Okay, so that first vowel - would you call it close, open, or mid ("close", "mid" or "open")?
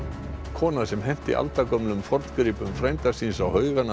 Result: mid